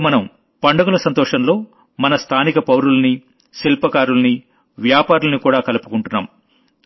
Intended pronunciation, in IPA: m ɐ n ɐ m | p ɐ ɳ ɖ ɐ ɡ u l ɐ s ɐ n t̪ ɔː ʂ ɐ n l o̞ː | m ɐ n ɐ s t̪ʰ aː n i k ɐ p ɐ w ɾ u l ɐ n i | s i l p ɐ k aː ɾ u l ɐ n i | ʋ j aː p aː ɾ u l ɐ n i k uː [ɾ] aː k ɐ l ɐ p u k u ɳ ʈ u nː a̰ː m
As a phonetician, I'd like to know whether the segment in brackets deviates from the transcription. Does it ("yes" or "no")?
yes